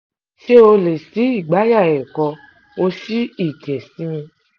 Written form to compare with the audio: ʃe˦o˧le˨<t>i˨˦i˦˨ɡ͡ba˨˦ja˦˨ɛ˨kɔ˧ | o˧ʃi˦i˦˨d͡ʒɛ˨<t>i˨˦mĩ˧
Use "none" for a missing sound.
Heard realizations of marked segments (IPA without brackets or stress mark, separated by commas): s, s